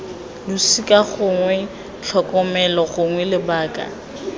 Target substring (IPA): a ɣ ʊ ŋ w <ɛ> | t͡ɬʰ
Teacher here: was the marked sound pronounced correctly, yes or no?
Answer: yes